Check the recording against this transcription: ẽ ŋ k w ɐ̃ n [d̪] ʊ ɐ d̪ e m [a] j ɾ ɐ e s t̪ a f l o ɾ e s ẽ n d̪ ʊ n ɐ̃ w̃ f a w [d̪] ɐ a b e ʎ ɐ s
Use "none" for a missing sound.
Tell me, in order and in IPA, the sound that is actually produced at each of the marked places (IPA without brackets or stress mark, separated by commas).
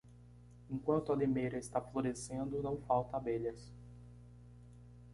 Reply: t̪, e, t̪